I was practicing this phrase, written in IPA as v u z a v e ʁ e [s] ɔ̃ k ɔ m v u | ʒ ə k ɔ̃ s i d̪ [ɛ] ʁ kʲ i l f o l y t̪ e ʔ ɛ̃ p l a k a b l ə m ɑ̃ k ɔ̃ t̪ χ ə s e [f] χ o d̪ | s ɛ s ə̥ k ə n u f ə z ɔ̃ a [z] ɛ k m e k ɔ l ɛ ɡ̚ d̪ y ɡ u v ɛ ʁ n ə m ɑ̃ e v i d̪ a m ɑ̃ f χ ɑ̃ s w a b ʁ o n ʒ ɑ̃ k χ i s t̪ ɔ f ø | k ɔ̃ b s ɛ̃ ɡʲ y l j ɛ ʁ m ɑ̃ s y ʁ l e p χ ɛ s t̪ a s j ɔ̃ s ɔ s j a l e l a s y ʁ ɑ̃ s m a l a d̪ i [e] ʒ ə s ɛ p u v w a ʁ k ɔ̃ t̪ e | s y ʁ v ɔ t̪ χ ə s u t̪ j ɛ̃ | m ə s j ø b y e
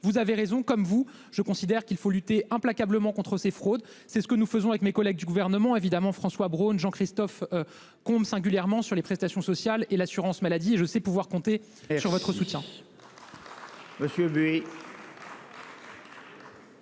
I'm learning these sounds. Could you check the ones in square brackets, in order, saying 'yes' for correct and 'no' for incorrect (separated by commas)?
no, yes, yes, no, yes